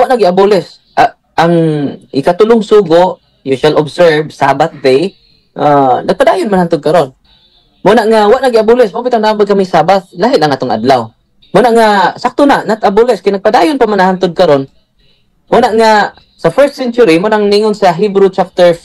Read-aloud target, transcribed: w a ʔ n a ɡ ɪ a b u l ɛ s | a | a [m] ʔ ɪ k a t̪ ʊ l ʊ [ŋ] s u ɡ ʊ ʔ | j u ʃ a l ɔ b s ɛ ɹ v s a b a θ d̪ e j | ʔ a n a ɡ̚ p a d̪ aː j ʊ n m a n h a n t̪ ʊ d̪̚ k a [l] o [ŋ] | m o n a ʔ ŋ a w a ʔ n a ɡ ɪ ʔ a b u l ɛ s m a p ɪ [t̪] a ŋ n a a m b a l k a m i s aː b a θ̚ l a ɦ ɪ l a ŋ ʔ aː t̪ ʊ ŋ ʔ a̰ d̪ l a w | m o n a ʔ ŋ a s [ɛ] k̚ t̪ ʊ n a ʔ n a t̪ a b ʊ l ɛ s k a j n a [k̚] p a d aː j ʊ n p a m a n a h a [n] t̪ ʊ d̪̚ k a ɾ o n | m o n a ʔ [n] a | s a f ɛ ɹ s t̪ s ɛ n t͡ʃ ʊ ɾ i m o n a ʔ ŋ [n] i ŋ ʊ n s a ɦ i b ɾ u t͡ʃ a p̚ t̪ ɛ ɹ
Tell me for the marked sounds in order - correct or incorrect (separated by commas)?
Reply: incorrect, correct, incorrect, incorrect, correct, incorrect, incorrect, correct, incorrect, correct